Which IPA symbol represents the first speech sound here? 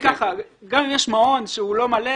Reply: k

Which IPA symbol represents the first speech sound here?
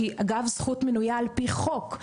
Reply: i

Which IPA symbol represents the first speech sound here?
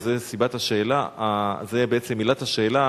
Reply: z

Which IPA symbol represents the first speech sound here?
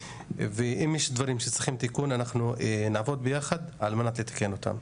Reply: v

